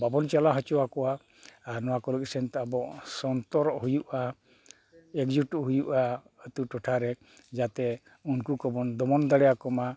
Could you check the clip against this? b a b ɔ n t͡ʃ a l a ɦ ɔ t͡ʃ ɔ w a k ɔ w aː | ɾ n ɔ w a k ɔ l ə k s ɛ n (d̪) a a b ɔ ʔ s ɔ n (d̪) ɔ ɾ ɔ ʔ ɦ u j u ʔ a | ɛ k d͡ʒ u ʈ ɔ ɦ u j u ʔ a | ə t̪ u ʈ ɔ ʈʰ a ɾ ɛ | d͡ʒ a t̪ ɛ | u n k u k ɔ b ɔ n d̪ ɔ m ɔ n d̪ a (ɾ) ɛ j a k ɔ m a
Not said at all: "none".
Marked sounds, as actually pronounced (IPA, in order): t̪, t̪, ɽ

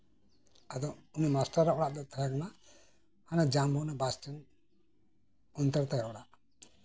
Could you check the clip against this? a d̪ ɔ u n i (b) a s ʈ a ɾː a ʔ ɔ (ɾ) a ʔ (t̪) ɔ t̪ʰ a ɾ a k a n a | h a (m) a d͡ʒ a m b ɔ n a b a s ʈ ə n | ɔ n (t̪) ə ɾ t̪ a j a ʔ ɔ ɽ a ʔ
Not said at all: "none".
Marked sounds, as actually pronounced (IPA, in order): m, ɽ, d̪, n, t̪

